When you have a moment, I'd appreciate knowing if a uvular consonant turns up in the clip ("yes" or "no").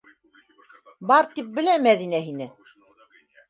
no